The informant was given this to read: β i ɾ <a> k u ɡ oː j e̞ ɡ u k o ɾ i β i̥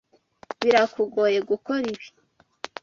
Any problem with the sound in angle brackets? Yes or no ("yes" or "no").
no